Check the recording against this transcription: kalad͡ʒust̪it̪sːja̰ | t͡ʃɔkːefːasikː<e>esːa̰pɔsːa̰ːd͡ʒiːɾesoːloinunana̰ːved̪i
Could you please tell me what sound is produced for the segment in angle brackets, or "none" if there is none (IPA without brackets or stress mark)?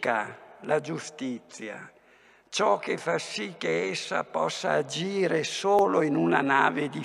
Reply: e